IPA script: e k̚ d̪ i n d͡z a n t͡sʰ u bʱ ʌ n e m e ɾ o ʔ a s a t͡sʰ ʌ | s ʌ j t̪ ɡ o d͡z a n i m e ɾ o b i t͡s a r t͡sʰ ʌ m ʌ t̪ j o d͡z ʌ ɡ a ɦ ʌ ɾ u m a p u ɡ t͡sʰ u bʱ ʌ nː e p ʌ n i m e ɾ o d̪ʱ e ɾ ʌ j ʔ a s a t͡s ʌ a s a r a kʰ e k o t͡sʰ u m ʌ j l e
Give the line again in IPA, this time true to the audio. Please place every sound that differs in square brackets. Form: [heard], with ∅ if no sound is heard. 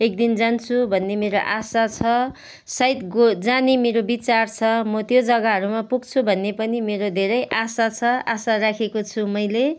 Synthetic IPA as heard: e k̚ d̪ i n d͡z a n t͡sʰ u bʱ ʌ [nː] e m e ɾ o ʔ a s a t͡sʰ ʌ | s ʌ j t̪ ɡ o d͡z a n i m e ɾ o b i t͡s a r t͡sʰ ʌ m ʌ t̪ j o d͡z ʌ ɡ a ɦ ʌ ɾ u m a p u ɡ t͡sʰ u bʱ ʌ nː e p ʌ n i m e ɾ o d̪ʱ e ɾ ʌ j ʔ a s a [t͡sʰ] ʌ a s a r a kʰ e k o t͡sʰ u m ʌ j l e